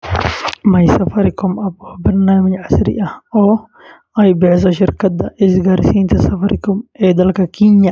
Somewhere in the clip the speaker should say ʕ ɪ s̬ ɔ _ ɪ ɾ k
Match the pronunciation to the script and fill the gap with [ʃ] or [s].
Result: ʃ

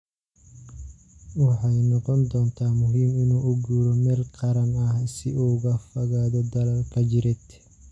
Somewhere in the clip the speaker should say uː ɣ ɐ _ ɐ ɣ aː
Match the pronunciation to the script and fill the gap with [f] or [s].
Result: f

